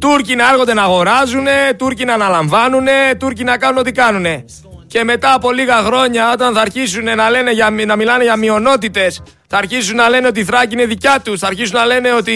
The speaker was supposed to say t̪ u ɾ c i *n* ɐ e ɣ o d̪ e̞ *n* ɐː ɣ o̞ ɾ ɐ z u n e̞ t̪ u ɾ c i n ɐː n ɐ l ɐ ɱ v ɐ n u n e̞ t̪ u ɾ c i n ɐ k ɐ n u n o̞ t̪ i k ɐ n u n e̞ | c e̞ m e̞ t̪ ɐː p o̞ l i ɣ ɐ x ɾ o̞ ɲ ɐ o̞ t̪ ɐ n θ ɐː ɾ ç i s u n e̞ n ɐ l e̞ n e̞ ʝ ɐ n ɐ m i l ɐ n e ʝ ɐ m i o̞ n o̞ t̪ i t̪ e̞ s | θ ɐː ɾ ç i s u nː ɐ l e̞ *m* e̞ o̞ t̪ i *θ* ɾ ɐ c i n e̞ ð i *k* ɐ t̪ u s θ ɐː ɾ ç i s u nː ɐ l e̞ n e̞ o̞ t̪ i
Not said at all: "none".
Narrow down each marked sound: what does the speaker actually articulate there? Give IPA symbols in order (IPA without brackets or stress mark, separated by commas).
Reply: n, n, n, θ, c